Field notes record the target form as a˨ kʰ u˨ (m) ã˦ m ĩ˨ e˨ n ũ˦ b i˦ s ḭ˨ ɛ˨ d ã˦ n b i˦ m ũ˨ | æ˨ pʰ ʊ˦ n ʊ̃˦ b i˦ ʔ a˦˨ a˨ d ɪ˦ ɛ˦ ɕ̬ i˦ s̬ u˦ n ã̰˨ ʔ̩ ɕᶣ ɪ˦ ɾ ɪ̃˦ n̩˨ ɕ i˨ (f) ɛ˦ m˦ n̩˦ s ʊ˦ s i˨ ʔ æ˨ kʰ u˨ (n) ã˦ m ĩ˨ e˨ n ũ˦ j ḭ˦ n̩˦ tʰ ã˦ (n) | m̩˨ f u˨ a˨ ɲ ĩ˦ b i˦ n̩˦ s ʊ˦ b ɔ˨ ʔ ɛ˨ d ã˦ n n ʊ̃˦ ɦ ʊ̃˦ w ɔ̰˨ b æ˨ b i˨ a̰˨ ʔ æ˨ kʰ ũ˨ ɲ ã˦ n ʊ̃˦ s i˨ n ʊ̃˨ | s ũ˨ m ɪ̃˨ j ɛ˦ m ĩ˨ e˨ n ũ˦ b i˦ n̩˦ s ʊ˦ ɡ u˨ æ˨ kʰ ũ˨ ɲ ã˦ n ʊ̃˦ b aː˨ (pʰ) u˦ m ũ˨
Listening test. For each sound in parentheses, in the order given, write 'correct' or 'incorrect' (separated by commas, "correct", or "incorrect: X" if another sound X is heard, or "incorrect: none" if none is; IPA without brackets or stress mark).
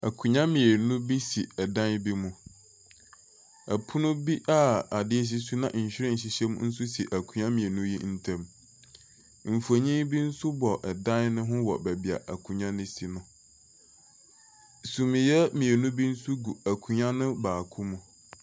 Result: incorrect: ɲ, incorrect: ɕ, incorrect: ɲ, incorrect: m, incorrect: kʰ